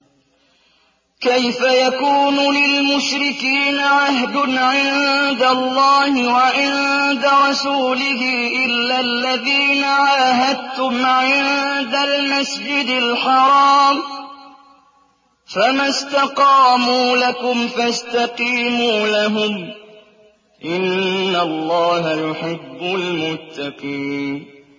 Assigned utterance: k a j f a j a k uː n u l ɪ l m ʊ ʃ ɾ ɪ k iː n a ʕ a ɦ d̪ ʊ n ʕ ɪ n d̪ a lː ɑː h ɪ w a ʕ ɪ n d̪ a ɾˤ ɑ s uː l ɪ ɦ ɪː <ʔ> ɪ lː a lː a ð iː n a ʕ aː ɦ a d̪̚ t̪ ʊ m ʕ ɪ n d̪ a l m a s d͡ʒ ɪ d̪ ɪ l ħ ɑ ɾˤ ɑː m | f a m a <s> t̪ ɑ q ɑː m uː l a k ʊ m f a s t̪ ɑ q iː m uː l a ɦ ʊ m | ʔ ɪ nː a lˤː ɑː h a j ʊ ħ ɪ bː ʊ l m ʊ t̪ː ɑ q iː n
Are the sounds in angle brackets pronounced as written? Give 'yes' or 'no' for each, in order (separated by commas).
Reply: yes, yes